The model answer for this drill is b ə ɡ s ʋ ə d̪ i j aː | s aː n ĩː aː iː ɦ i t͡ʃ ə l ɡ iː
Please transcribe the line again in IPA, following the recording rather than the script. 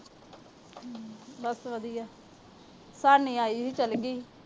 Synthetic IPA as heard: b ə s ʋ ə d̪ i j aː | s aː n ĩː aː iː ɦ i t͡ʃ ə l ɡ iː